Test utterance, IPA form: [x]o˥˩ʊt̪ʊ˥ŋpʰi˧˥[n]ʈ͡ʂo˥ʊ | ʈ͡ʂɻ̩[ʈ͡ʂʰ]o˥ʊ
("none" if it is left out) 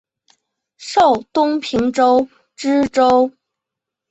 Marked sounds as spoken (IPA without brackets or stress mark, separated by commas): ʂ, ŋ, ʈ͡ʂ